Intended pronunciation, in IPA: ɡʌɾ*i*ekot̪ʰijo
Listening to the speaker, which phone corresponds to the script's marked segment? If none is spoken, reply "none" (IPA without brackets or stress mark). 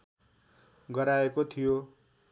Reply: a